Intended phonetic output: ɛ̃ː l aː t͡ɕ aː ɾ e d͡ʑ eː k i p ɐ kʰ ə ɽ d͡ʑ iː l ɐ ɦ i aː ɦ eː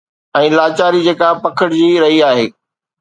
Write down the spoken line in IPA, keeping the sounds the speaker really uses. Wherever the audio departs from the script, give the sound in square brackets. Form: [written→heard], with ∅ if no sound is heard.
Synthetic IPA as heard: ɛ̃ː l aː t͡ɕ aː ɾ [e→i] d͡ʑ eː k [i→a] p ɐ kʰ ə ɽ d͡ʑ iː [l→ɾ] ɐ ɦ i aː ɦ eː